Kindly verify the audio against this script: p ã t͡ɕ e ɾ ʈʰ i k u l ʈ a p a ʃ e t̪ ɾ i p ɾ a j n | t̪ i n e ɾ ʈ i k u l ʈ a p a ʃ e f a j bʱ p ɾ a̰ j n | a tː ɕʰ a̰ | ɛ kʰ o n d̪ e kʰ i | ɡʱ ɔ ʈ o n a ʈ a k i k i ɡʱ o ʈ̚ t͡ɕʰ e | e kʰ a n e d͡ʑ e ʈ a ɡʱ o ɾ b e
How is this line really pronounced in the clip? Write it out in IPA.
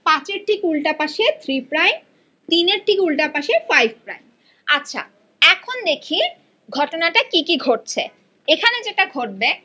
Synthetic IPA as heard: p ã t͡ɕ e ɾ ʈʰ i k u l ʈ a p a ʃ e t̪ʰ ɾ i p ɾ a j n | t̪ i n e ɾ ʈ i k u l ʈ a p a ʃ e f a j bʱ p ɾ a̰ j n | a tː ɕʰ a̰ | ɛ kʰ o n d̪ e kʰ i | ɡʱ ɔ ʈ o n a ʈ a k i k i ɡʱ o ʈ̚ t͡ɕʰ e | e kʰ a n e d͡ʑ e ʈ a ɡʱ o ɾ b e